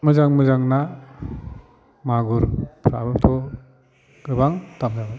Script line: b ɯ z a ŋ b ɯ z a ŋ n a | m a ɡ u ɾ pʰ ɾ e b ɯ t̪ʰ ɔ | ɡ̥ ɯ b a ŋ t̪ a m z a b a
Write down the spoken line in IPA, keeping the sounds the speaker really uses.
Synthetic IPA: m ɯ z a ŋ m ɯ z a ŋ n a | m a ɡ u ɾ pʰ ɾ a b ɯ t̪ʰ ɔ | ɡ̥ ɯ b a ŋ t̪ a m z a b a